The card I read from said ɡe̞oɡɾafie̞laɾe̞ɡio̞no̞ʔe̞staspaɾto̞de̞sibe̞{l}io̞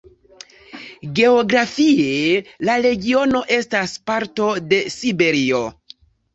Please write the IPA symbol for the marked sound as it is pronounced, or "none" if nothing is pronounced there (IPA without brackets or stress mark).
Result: ɾ